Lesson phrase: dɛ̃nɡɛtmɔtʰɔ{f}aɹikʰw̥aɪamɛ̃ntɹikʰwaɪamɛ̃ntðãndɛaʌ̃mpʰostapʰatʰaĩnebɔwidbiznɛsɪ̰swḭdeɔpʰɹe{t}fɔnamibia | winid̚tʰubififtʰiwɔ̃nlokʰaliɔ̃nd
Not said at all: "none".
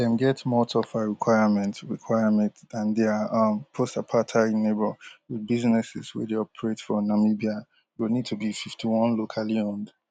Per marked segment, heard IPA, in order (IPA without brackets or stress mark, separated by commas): f, t